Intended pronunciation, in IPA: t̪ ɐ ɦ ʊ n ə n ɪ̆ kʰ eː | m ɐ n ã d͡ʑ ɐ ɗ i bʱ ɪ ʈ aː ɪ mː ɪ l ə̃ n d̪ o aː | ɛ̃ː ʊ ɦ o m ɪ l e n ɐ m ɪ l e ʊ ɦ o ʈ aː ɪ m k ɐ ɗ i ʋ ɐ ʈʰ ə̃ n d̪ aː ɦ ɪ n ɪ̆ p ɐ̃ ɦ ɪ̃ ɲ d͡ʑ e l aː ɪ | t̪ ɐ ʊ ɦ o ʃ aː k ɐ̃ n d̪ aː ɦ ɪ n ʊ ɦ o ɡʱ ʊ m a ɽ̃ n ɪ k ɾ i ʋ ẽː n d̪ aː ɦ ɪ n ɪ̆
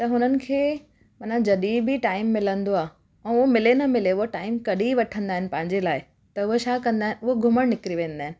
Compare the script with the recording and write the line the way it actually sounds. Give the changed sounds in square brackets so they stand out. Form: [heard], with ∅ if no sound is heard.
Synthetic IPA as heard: t̪ ɐ ɦ ʊ n ə n ɪ̆ kʰ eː | m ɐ n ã d͡ʑ ɐ ɗ i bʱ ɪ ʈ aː ɪ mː ɪ l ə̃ n d̪ o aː | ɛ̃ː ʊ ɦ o m ɪ l e n ɐ m ɪ l e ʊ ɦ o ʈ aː ɪ m k ɐ ɗ i ʋ ɐ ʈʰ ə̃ n d̪ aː ɦ ɪ n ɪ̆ p ɐ̃ ɦ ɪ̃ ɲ d͡ʑ e l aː ɪ | t̪ ɐ ʊ ɦ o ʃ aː k ɐ̃ n d̪ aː ɦ ɪ n ʊ ɦ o ɡʱ ʊ m [ə] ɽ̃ n ɪ k ɾ i ʋ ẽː n d̪ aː ɦ ɪ n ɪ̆